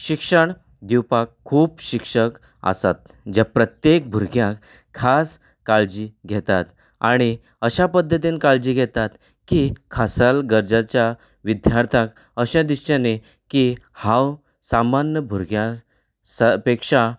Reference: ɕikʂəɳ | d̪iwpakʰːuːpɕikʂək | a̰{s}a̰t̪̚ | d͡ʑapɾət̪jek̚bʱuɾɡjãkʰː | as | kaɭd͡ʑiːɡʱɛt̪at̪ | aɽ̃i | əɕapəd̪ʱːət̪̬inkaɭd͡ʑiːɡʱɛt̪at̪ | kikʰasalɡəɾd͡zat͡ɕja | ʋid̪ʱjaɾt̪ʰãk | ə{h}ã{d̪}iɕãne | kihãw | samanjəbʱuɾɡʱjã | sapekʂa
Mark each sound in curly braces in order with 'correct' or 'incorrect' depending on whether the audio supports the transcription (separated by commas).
correct, incorrect, correct